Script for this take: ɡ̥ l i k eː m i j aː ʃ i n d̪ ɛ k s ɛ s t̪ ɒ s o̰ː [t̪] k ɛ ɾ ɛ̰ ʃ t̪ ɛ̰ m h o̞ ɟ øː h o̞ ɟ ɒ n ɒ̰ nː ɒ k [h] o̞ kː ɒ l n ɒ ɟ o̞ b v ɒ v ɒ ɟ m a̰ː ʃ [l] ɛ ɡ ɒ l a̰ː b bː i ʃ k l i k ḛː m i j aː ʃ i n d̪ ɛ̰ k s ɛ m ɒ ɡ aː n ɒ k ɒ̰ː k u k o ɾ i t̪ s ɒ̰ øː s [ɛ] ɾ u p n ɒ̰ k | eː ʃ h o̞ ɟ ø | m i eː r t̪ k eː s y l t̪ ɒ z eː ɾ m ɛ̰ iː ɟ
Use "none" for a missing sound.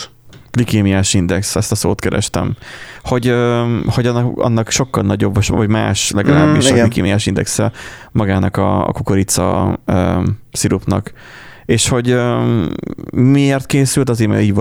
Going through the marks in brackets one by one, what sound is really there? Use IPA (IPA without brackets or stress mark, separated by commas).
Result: t̪, ʃ, l, i